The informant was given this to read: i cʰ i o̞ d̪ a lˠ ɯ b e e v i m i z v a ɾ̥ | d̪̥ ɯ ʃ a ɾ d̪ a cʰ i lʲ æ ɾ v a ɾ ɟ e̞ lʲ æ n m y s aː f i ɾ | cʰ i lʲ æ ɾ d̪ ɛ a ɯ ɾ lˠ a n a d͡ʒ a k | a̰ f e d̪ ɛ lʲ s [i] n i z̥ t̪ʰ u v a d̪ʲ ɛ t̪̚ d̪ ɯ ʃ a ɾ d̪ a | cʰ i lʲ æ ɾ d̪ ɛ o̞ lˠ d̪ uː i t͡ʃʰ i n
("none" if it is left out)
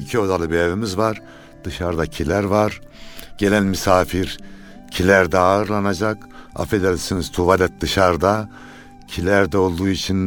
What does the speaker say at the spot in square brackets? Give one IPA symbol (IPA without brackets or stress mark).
i